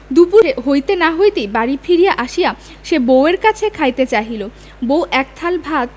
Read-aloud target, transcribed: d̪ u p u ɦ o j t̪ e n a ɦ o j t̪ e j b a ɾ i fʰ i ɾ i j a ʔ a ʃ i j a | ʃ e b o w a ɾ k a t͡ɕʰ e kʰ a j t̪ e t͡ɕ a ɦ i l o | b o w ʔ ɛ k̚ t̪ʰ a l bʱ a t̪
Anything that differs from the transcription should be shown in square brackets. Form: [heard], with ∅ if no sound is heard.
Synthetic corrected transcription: d̪ u p u ɦ o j t̪ e n a ɦ o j t̪ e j b a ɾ i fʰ i ɾ i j a ʔ a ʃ i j a | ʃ e b o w [e] ɾ k a t͡ɕʰ e kʰ a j t̪ e t͡ɕ a ɦ i l o | b o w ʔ ɛ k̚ t̪ʰ a l bʱ a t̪